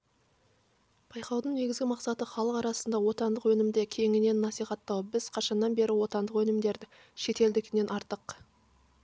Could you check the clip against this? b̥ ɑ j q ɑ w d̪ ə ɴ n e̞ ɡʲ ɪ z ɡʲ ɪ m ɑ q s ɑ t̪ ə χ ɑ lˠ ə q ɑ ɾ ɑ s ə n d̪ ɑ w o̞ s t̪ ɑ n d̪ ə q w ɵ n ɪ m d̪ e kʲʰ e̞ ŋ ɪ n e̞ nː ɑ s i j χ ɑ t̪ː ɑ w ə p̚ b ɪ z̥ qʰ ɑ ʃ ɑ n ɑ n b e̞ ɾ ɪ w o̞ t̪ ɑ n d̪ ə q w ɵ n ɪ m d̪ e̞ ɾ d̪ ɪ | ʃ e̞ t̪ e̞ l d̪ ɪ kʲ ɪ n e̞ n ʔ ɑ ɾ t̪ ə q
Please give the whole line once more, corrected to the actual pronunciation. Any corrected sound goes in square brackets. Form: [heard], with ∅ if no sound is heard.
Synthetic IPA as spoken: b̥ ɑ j q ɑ w d̪ ə ɴ n e̞ ɡʲ ɪ z ɡʲ ɪ m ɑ q s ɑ t̪ ə χ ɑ lˠ ə q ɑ ɾ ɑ s ə n d̪ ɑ w o̞ [∅] t̪ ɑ n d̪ ə q w ɵ n ɪ m d̪ e kʲʰ e̞ ŋ ɪ n e̞ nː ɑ s i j χ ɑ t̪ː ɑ w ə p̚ b ɪ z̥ qʰ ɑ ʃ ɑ [nː] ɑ n b e̞ ɾ ɪ w o̞ t̪ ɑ n d̪ ə q w ɵ n ɪ m d̪ e̞ ɾ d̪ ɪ | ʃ e̞ t̪ e̞ l d̪ ɪ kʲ ɪ n e̞ n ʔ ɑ ɾ t̪ ə q